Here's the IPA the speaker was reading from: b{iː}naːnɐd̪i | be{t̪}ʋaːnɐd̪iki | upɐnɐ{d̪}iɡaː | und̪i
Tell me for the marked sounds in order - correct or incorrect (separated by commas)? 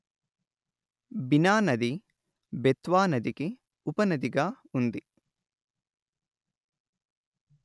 incorrect, correct, correct